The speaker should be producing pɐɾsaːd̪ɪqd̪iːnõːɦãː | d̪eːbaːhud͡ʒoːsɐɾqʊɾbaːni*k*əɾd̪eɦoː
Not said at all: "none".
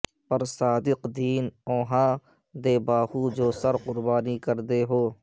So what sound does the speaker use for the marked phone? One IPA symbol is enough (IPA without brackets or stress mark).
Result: k